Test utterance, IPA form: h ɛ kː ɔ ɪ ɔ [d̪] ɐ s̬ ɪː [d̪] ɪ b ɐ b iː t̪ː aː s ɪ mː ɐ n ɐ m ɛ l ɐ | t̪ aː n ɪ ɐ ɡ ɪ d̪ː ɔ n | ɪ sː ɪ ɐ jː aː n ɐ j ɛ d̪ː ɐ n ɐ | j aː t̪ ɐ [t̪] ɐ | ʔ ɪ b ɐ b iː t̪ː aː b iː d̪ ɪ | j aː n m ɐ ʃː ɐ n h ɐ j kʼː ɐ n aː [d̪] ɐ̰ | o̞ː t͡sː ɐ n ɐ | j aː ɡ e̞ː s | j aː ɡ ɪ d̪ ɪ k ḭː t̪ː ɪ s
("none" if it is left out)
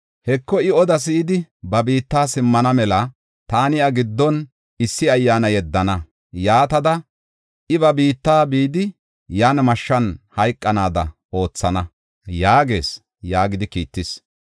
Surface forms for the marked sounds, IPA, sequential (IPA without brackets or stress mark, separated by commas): d̪, d̪, d̪, d̪